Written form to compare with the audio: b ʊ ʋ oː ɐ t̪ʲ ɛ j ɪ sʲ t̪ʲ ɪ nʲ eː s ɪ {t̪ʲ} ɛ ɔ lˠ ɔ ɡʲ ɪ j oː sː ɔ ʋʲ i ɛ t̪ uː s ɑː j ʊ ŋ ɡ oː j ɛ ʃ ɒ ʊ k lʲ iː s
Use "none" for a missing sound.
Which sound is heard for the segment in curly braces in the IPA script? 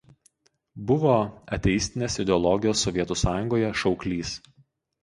d̪ʲ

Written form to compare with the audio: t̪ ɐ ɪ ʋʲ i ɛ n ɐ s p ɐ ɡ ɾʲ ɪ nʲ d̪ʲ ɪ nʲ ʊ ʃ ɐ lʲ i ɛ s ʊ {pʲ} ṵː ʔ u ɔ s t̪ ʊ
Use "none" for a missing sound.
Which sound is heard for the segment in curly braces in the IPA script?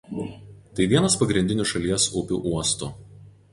pʲ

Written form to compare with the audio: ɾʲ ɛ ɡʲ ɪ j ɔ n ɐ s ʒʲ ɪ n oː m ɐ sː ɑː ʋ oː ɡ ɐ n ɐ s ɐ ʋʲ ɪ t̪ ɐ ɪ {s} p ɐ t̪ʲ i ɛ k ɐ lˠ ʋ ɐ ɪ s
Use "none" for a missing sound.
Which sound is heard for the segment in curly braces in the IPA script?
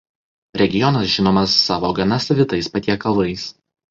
s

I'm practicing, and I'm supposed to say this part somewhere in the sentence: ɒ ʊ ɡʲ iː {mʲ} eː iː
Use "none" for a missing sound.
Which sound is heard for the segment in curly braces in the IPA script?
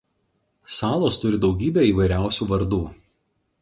bʲ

